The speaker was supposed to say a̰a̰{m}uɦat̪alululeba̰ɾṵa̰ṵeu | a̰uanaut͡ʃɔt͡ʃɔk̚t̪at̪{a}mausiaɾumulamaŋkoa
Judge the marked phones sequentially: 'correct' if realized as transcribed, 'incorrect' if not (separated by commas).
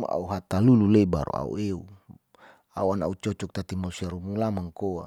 incorrect, incorrect